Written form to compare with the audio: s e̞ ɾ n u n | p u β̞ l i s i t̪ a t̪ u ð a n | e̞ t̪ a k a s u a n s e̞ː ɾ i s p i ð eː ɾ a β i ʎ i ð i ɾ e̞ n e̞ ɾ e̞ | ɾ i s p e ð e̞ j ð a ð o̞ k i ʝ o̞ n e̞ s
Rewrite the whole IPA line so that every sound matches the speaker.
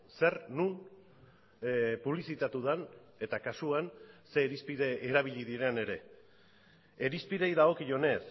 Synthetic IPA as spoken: s e̞ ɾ n u n | p u β̞ l i s i t̪ a t̪ u ð a n | e̞ t̪ a k a s u a n s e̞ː ɾ i s p i ð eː ɾ a β i ʎ i ð i ɾ e̞ n e̞ ɾ e̞ | ɾ i s p i ð e̞ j ð a ɣ o̞ k i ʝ o̞ n e̞ s